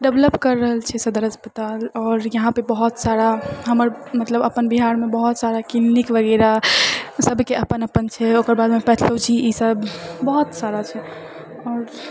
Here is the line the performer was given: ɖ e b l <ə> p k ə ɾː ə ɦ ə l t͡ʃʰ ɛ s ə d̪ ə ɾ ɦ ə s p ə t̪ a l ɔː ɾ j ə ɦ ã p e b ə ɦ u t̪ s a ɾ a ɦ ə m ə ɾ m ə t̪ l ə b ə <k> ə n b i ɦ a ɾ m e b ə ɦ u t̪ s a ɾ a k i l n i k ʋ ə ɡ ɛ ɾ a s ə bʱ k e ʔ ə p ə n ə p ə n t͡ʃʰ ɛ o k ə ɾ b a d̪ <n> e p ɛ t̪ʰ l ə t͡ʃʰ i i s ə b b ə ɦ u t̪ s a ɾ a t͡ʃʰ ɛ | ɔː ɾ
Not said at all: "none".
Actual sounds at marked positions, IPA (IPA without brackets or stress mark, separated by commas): ə, p, m